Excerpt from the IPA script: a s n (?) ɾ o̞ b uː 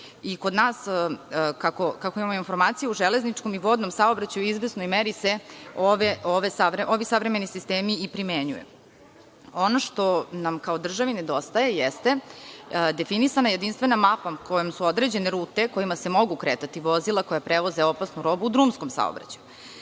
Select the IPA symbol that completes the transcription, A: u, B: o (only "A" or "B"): A